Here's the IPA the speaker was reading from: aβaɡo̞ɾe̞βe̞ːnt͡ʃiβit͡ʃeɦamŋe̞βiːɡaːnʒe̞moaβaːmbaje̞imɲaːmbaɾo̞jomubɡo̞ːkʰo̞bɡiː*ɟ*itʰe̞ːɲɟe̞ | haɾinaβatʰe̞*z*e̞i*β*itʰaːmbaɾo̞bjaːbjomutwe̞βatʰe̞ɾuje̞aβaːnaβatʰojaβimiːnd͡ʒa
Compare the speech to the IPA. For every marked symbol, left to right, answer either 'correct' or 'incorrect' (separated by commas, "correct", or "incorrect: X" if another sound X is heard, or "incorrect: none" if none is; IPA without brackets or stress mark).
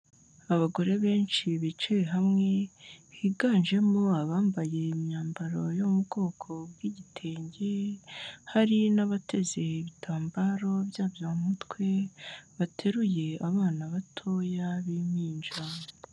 correct, correct, correct